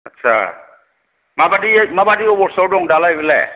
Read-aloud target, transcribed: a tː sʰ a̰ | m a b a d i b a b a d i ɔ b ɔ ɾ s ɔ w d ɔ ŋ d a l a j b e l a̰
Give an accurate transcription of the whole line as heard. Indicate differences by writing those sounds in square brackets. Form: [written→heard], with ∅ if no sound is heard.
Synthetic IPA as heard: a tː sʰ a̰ | m a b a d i [b→m] a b a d i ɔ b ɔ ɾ s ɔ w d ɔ ŋ d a l a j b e l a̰